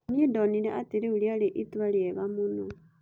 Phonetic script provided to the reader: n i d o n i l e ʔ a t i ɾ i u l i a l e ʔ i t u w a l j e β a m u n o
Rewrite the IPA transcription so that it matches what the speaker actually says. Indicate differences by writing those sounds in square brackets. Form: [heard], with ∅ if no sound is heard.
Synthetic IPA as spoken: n i d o n i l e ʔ a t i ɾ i u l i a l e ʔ i t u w a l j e β a m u n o